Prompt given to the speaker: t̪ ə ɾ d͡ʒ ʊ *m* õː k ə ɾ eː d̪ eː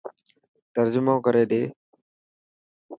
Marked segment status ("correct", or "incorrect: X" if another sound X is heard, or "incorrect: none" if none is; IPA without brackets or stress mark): correct